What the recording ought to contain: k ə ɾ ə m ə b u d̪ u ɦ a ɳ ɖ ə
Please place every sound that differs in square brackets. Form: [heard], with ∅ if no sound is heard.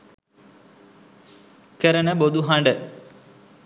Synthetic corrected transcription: k ə ɾ ə [n] ə b [o] d̪ u ɦ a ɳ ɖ ə